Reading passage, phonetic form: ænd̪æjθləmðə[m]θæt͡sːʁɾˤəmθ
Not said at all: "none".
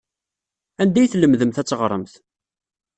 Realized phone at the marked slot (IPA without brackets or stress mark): m